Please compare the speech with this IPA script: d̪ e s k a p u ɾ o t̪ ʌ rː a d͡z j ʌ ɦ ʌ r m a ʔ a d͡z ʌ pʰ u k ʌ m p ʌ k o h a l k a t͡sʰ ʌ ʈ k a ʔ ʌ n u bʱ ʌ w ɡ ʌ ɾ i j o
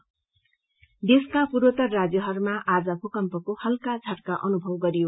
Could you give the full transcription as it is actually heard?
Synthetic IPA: d̪ e s k a p u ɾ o t̪ ʌ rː a d͡z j ʌ ɦ ʌ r m a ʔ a d͡z ʌ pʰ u k ʌ m p ʌ k o h ʌ l k a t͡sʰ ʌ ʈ k a ʔ ʌ n u bʱ ʌ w ɡ ʌ ɾ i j o